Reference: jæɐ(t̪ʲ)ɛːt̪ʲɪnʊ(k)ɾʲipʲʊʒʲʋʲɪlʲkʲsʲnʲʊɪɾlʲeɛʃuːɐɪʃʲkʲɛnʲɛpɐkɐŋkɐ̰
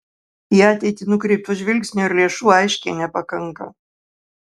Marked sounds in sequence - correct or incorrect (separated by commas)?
correct, correct